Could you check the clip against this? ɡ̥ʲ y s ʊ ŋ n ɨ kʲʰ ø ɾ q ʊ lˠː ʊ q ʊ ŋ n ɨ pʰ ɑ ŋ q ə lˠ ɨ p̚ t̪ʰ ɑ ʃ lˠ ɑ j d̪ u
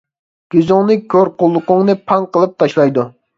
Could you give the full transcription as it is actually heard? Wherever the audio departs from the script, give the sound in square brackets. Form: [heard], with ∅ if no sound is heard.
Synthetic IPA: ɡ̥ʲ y [z] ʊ ŋ n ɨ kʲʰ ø ɾ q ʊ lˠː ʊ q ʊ ŋ n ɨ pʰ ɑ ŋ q ə lˠ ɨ p̚ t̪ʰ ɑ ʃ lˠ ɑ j d̪ u